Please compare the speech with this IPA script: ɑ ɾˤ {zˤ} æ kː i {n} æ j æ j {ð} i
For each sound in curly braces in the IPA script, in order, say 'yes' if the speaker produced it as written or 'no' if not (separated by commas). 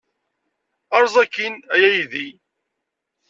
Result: yes, yes, yes